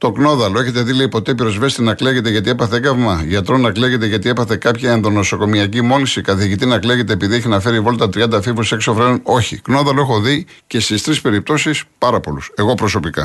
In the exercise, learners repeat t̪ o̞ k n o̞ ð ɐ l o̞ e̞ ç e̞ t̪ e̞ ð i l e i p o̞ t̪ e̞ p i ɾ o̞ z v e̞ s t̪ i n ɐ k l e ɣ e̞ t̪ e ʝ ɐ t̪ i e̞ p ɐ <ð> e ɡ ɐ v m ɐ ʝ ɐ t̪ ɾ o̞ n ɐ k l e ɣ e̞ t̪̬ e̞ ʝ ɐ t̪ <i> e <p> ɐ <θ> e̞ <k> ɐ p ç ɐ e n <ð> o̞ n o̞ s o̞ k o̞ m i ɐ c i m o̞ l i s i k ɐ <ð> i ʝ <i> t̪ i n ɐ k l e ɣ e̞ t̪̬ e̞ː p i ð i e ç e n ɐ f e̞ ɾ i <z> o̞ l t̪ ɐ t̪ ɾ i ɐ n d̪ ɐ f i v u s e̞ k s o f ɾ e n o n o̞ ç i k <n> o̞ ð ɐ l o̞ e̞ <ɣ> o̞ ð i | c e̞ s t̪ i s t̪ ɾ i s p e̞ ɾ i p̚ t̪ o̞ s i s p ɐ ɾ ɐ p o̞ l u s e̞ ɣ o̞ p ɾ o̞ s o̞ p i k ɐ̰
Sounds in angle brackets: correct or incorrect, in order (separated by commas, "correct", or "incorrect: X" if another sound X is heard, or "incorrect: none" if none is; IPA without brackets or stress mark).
incorrect: θ, correct, correct, correct, correct, correct, incorrect: θ, correct, incorrect: v, correct, incorrect: x